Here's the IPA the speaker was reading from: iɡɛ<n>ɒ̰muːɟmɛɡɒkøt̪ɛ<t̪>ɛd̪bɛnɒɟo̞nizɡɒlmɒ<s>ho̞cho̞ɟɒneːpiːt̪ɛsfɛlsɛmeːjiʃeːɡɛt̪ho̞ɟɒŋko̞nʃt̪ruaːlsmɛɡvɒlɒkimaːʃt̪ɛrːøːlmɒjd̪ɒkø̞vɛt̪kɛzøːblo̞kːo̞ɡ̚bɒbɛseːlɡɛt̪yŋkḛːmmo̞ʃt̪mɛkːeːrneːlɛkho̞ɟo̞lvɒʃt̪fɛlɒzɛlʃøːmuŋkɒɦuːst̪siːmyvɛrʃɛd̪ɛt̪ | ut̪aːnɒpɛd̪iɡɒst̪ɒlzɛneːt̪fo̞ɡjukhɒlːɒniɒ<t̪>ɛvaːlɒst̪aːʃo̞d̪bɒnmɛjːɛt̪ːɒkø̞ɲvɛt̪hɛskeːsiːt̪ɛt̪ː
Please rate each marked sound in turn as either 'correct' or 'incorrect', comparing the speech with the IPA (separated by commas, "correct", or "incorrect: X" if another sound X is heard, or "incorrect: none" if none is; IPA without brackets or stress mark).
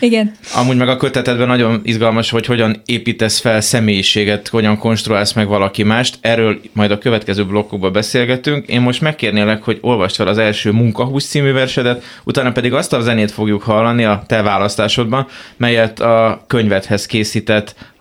correct, correct, incorrect: ʃ, correct